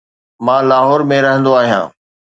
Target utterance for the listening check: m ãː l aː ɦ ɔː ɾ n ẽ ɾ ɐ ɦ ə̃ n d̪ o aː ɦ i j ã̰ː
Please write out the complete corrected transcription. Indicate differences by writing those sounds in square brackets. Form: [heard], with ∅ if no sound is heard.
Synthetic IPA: m ãː l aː ɦ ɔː ɾ [m] ẽ ɾ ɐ ɦ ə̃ n d̪ o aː ɦ i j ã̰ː